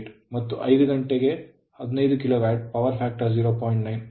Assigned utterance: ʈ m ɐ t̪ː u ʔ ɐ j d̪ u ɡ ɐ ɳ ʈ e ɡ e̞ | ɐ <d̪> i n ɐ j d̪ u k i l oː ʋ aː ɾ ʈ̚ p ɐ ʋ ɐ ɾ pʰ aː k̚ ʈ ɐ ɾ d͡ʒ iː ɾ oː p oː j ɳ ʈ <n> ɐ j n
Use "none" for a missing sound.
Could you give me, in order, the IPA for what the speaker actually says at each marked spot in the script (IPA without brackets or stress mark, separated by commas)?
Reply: d̪, n